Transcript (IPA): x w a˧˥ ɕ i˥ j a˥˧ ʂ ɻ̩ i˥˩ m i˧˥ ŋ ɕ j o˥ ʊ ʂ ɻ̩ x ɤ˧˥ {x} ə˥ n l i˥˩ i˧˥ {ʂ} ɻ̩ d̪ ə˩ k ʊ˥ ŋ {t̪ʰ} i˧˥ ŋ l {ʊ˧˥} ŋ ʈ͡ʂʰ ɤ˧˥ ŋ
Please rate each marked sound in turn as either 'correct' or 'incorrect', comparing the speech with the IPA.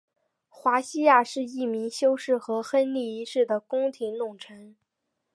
correct, correct, correct, incorrect

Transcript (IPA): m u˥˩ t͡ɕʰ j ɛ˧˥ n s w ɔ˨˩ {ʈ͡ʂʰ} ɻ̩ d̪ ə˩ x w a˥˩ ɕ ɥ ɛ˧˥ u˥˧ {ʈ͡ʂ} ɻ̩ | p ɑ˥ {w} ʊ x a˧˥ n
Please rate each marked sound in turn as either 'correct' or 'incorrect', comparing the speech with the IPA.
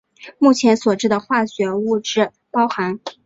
incorrect, correct, incorrect

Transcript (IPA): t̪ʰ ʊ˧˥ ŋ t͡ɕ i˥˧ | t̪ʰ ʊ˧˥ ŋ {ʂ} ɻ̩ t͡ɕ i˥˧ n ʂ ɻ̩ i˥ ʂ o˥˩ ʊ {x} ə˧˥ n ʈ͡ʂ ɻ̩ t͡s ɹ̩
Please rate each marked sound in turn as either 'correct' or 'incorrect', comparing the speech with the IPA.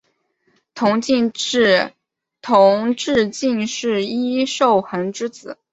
incorrect, correct

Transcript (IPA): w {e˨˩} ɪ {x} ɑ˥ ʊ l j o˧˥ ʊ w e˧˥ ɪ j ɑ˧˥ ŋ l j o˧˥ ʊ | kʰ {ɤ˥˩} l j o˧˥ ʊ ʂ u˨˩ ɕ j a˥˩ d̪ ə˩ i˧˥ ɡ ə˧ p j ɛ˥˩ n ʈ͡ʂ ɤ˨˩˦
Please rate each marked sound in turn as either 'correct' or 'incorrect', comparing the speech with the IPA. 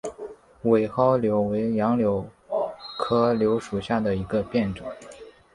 correct, correct, incorrect

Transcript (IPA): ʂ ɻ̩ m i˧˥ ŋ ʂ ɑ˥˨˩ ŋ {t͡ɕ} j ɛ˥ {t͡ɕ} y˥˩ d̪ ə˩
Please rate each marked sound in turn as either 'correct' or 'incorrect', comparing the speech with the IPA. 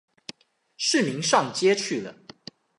correct, incorrect

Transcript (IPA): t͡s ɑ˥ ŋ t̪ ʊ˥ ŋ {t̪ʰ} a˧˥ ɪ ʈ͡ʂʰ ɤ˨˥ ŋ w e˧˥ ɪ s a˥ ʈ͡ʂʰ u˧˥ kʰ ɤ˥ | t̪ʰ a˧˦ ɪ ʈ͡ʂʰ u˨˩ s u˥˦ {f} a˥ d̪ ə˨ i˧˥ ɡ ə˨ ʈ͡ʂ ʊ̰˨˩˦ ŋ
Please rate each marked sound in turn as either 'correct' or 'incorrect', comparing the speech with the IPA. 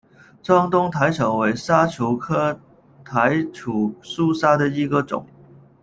correct, incorrect

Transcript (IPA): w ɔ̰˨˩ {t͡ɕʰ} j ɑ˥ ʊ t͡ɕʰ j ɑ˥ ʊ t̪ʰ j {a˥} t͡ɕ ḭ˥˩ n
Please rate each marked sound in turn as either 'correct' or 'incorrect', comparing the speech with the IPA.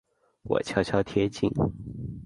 correct, incorrect

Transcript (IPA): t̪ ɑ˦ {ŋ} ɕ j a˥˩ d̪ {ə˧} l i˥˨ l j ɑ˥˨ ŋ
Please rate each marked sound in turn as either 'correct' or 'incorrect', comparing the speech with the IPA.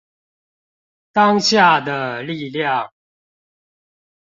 correct, incorrect

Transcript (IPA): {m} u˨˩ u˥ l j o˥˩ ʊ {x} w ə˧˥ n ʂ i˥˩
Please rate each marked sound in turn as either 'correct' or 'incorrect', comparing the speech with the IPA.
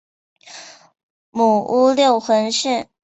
correct, correct

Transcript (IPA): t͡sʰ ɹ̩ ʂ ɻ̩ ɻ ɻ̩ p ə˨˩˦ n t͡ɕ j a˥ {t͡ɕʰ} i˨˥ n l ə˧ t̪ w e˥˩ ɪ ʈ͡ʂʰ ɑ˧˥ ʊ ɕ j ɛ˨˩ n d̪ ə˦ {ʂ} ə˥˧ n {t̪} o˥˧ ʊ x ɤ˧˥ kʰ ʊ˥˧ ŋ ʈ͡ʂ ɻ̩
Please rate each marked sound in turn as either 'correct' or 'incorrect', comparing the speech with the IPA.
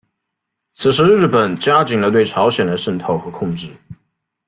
incorrect, correct, incorrect

